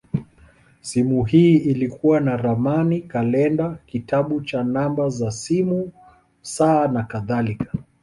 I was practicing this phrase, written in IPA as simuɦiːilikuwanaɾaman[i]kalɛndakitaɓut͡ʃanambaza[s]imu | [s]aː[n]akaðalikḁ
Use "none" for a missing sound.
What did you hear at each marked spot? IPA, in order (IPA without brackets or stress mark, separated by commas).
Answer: i, s, s, n